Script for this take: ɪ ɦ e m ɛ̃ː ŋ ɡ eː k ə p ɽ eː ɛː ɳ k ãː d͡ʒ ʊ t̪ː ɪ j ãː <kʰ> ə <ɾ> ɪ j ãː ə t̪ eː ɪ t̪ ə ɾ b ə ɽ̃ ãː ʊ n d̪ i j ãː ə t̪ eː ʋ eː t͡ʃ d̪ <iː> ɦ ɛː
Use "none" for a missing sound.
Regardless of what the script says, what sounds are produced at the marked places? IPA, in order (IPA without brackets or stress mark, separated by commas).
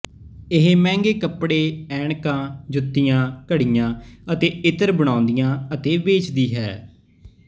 k, ɽ, iː